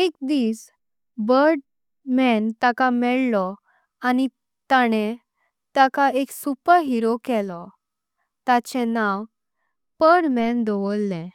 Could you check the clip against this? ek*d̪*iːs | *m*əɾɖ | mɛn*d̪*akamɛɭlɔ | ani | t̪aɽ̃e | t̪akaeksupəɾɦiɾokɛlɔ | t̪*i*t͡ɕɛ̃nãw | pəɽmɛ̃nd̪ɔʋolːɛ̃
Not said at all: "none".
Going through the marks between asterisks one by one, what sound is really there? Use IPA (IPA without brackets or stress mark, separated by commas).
d̪, b, t̪, a